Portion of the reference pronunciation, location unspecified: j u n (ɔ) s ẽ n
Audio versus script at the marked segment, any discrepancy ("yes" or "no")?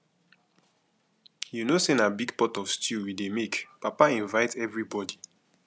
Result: yes